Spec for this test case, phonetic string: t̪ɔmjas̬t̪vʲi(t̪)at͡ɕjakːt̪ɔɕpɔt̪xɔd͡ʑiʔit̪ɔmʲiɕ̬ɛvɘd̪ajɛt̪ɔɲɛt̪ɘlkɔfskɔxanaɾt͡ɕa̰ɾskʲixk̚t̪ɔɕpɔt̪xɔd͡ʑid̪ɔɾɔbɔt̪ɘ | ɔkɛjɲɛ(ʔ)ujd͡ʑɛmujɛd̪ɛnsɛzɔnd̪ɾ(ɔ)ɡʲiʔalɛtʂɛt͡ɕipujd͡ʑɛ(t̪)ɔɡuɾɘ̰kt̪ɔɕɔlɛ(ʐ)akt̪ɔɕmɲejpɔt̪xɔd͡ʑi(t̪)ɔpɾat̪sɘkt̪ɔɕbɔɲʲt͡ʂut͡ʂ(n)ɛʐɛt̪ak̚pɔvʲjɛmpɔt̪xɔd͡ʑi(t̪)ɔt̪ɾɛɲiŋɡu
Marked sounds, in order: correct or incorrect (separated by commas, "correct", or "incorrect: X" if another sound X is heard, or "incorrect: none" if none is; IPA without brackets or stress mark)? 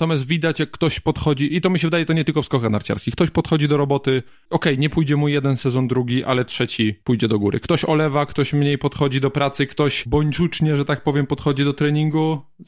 incorrect: d̪, incorrect: p, incorrect: u, incorrect: d̪, incorrect: v, incorrect: d̪, incorrect: ɲ, incorrect: d̪